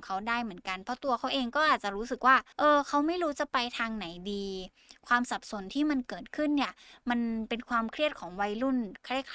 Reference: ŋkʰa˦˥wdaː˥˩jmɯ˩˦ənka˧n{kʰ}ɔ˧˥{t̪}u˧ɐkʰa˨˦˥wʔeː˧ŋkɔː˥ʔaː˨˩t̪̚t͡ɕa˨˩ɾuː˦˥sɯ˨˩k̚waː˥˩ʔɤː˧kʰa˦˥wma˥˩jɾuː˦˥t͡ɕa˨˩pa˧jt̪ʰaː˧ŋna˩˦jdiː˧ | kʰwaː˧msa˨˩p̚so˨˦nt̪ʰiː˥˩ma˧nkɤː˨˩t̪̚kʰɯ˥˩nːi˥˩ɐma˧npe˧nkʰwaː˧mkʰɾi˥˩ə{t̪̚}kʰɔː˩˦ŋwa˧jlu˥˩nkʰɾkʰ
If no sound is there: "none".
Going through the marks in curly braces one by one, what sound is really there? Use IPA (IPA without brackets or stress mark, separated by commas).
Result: pʰ, t̪, t̪̚